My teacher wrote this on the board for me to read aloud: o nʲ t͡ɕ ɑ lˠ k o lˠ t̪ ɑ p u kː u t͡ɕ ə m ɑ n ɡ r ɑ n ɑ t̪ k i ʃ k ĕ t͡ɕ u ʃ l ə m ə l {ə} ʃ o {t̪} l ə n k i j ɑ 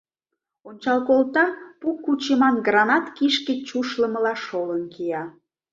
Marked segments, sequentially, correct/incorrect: incorrect: ɑ, incorrect: none

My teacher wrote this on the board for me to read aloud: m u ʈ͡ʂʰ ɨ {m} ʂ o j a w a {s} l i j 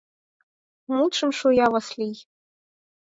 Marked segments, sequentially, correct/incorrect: correct, correct

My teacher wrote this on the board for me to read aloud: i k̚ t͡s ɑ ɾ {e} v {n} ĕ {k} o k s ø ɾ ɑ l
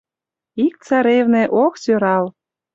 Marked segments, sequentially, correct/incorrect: correct, correct, incorrect: ʔ

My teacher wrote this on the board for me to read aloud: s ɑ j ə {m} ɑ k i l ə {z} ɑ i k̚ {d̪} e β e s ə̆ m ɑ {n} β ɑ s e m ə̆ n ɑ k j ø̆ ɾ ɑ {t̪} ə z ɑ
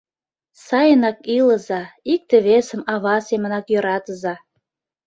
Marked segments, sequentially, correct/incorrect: incorrect: n, correct, incorrect: t̪, incorrect: none, correct

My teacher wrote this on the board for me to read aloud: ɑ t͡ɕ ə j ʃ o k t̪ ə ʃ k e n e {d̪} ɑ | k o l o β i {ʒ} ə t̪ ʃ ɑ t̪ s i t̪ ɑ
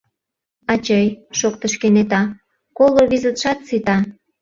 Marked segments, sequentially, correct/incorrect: incorrect: t̪, incorrect: z

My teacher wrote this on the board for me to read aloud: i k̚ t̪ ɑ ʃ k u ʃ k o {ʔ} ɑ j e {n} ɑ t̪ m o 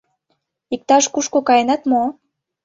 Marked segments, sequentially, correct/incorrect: incorrect: k, correct

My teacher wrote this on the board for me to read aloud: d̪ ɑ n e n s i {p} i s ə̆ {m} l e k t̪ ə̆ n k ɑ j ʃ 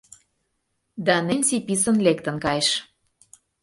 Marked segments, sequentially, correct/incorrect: correct, incorrect: n

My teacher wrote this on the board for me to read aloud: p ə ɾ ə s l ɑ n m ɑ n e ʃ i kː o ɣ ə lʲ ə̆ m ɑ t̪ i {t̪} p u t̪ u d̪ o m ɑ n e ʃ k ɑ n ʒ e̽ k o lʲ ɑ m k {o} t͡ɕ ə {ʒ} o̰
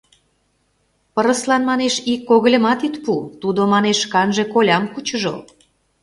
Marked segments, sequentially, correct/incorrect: correct, incorrect: u, correct

